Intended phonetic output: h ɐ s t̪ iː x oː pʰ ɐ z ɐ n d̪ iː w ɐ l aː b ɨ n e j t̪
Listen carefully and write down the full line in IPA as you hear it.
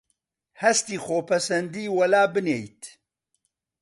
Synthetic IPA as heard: h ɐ s t̪ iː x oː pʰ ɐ s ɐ n d̪ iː w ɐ l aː b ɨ n e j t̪